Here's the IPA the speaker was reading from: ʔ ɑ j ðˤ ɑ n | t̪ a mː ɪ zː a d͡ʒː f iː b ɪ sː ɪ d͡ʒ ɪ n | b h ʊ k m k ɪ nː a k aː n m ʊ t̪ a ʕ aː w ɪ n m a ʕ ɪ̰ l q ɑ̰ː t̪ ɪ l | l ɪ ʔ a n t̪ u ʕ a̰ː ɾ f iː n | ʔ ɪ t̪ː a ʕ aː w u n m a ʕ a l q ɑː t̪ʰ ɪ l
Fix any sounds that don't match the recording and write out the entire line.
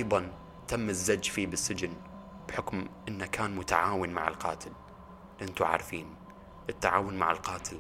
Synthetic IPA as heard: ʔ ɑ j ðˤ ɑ n | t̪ a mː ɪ zː a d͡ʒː f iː b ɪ sː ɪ d͡ʒ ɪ n | b ħ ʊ k m ʔ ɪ nː a k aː n m ʊ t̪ a ʕ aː w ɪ n m a ʕ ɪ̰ l q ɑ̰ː t̪ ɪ l | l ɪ ʔ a n t̪ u ʕ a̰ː ɾ f iː n | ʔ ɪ t̪ː a ʕ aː w ʊ n m a ʕ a l q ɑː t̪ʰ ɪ l